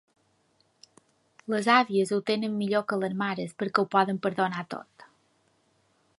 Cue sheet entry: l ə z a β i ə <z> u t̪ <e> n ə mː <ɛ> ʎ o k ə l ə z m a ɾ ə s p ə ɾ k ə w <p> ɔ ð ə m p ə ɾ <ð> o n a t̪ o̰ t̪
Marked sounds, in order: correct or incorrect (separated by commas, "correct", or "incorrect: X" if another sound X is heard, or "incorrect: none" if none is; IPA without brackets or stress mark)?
correct, correct, incorrect: i, correct, correct